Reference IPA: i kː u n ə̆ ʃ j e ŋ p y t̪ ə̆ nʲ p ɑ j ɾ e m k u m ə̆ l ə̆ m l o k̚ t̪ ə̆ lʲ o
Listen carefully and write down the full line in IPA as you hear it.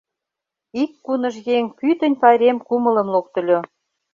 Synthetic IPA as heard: i kː u n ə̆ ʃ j e ŋ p y t̪ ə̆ nʲ p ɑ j ɾ e m k u m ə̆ l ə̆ m l o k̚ t̪ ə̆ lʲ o